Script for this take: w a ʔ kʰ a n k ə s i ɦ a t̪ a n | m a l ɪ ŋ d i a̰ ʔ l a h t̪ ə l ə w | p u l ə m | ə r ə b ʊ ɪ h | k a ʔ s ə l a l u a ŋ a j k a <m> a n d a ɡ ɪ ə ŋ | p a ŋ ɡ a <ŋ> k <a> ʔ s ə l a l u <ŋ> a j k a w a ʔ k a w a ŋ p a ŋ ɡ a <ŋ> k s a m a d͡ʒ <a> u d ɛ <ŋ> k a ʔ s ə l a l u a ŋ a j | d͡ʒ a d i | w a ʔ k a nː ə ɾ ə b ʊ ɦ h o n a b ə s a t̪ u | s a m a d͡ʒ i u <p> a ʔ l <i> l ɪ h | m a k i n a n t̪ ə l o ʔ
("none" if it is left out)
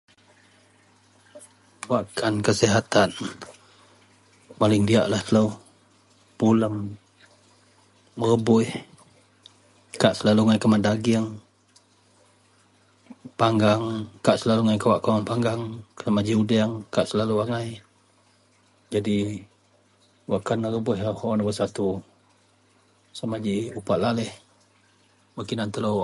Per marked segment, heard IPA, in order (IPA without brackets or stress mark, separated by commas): m, ŋ, a, ŋ, ŋ, i, ŋ, p, a